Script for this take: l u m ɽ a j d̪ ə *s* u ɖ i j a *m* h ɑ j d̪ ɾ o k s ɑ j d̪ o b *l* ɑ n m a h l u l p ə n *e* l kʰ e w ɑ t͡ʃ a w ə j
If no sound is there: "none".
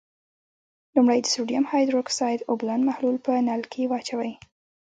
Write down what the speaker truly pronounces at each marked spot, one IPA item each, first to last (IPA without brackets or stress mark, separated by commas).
s, m, l, a